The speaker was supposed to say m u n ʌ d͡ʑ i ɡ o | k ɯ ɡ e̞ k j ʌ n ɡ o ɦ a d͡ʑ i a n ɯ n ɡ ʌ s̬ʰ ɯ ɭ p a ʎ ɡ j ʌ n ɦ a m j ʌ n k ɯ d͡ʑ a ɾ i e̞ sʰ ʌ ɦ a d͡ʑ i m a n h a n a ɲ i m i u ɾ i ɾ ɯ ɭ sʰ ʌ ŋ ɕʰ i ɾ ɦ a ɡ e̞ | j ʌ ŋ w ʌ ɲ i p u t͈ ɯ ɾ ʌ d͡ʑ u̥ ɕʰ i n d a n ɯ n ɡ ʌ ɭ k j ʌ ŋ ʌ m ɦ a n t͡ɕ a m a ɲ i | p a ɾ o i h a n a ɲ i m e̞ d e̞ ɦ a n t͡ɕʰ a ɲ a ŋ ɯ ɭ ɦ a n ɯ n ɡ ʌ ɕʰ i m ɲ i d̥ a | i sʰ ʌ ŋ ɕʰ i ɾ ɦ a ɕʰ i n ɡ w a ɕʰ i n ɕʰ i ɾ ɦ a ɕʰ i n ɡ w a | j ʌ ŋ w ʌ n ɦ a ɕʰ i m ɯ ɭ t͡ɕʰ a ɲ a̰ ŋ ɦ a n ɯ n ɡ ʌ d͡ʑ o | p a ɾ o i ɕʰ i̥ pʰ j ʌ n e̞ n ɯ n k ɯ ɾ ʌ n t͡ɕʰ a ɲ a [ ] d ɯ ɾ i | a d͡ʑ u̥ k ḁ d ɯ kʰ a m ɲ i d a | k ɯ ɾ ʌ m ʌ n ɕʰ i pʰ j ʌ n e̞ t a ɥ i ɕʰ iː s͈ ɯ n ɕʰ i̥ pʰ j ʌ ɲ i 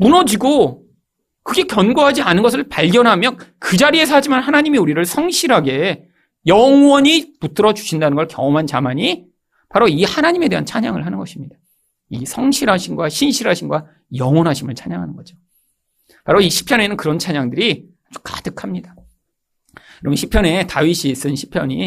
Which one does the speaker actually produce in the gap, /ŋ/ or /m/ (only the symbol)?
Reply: ŋ